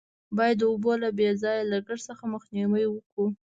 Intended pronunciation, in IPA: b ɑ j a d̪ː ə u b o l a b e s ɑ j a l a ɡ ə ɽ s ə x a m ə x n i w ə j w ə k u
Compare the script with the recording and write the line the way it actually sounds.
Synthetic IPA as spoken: b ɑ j a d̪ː ə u b o l a b e z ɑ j a l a ɡ ə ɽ s ə x a m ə x n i w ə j w ə k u